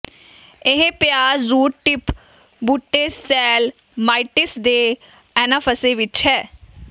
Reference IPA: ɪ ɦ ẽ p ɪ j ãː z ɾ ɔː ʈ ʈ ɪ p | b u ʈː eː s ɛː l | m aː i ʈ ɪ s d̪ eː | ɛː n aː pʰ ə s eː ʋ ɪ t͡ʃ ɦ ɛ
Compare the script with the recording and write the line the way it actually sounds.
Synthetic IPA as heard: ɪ ɦ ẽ p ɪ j aː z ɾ uː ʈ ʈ ɪ p | b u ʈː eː s ɛː l | m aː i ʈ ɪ s d̪ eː | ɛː n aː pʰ ə s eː ʋ ɪ t͡ʃ ɦ ɛː